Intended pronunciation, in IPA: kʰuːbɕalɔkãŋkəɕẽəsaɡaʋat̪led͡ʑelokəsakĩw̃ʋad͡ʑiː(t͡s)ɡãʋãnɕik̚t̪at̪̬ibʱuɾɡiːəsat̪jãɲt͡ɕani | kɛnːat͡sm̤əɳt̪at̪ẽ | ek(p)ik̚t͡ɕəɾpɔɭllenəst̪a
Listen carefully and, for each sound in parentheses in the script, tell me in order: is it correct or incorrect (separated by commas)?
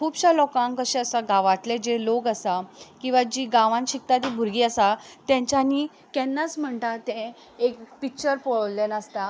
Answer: incorrect, correct